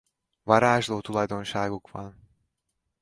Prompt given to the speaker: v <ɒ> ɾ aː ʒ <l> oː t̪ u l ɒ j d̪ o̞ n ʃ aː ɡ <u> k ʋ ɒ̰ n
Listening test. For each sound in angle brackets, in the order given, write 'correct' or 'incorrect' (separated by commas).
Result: correct, correct, correct